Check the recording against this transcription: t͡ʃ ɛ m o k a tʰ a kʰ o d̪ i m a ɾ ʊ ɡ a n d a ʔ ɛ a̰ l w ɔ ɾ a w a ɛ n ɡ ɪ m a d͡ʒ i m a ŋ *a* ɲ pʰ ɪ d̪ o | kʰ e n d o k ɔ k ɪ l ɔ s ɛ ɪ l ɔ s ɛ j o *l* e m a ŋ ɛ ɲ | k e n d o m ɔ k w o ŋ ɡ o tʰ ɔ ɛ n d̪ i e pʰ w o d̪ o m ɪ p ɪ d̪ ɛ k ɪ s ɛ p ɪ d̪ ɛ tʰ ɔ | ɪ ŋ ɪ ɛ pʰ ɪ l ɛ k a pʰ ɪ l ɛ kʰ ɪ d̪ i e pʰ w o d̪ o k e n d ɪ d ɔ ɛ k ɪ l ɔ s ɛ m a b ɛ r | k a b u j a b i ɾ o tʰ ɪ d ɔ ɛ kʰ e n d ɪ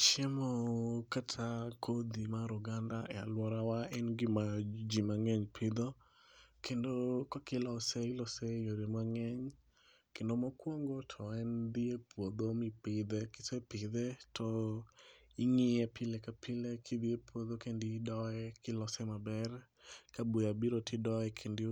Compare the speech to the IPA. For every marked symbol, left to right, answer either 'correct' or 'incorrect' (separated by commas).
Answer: incorrect, incorrect